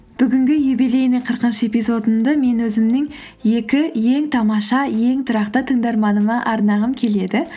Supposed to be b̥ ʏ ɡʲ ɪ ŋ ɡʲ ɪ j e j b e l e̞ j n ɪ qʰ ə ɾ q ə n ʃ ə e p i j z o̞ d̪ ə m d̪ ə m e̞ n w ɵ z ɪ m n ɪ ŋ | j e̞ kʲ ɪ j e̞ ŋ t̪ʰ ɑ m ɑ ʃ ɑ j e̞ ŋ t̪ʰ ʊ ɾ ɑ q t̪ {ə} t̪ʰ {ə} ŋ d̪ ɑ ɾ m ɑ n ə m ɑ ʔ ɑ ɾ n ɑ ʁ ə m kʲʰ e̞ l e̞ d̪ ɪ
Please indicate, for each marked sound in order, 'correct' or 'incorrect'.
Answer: correct, correct

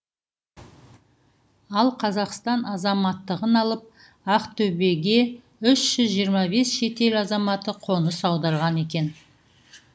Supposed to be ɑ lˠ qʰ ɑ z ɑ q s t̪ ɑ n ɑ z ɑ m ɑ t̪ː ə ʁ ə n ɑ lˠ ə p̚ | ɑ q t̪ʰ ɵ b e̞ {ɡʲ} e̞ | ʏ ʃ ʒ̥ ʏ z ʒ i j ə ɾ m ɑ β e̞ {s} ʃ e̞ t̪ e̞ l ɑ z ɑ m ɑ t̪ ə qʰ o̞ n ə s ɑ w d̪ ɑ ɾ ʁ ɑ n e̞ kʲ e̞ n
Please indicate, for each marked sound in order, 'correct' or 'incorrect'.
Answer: correct, correct

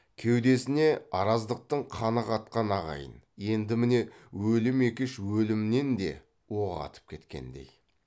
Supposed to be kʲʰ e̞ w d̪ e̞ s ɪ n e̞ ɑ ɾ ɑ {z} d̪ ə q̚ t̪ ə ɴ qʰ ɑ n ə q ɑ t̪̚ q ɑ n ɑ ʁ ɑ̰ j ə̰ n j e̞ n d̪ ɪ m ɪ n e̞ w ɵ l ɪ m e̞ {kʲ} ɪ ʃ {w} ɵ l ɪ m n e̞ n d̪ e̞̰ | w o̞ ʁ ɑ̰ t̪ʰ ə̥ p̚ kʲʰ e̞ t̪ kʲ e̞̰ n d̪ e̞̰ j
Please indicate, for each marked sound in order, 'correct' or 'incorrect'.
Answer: correct, correct, correct

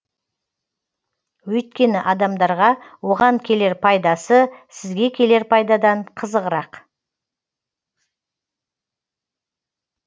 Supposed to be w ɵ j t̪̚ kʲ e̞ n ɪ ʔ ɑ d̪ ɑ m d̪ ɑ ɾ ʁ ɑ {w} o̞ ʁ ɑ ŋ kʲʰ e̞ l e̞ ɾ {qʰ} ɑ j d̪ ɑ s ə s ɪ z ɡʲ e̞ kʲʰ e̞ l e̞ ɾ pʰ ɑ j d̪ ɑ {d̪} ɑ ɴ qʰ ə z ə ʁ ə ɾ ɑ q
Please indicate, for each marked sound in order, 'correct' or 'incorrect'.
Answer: correct, incorrect, correct

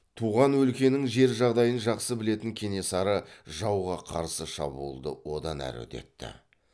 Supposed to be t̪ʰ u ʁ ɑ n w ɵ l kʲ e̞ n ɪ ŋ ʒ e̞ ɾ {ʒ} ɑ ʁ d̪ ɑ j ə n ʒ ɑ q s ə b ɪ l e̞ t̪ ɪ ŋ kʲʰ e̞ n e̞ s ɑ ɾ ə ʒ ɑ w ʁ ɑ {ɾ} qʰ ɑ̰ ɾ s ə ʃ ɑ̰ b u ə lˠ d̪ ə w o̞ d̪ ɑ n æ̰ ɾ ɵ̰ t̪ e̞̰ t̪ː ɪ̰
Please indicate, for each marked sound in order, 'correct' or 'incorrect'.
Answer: correct, incorrect

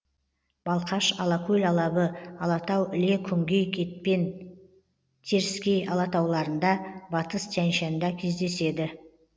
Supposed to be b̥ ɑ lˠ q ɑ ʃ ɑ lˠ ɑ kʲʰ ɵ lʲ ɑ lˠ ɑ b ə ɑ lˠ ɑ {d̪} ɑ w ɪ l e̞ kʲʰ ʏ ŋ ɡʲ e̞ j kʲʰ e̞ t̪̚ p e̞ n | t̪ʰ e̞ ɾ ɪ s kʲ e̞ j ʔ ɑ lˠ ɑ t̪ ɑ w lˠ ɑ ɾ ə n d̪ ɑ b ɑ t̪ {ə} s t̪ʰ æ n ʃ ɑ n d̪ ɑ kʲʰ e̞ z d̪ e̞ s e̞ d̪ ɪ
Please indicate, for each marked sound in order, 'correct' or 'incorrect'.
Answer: incorrect, correct

